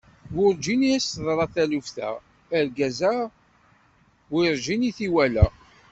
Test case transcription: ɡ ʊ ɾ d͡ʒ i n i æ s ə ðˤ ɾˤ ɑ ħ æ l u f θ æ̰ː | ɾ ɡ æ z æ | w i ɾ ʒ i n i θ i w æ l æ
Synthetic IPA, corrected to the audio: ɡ ʊ ɾ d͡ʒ i n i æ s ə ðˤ ɾˤ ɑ θ æ l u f θ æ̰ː | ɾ ɡ æ z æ | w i ɾ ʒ i n i θ i w æ l æ